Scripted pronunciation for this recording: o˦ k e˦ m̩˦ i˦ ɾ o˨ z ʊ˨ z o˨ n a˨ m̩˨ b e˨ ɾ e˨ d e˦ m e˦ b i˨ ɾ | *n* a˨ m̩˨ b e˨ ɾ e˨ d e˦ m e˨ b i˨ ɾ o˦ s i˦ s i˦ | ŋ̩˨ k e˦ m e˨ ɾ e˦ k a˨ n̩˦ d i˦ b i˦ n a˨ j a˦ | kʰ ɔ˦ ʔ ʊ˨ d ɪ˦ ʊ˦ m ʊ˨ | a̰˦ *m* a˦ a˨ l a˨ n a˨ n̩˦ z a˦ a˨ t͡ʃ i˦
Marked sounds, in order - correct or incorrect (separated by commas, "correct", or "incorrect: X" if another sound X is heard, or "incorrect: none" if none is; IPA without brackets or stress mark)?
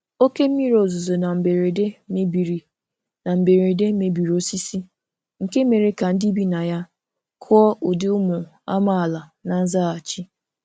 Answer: correct, correct